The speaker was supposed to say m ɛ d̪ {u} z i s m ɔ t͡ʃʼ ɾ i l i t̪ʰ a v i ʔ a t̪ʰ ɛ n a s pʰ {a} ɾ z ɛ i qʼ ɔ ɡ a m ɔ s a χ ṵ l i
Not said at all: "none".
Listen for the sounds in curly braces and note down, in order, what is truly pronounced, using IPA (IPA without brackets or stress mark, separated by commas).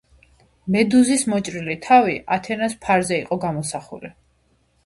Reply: u, a